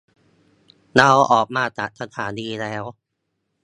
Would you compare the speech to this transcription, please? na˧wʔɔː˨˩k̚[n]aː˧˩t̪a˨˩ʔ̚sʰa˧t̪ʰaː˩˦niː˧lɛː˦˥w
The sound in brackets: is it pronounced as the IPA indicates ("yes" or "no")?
no